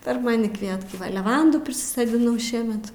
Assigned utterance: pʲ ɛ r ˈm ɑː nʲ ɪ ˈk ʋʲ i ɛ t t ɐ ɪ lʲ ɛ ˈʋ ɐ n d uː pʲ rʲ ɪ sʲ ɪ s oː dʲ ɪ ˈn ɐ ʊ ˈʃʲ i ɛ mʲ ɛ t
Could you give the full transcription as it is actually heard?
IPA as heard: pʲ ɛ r ˈm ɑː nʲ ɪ ˈk ʋʲ i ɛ t k ɐ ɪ lʲ ɛ ˈʋ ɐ n d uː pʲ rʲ ɪ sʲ ɪ s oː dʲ ɪ ˈn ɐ ʊ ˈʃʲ i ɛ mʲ ɛ t